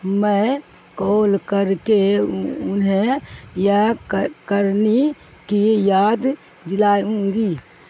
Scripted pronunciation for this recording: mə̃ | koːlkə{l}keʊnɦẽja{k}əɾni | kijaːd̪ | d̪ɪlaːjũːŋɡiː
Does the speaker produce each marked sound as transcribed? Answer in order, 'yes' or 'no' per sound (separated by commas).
no, yes